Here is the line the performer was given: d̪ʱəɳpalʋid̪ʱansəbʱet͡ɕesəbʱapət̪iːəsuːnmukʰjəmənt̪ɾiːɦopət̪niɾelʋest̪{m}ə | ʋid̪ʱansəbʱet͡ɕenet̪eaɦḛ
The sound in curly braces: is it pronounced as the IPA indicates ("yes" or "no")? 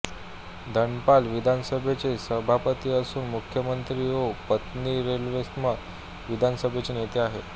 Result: yes